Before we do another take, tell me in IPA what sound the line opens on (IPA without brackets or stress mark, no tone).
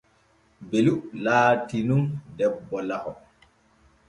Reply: b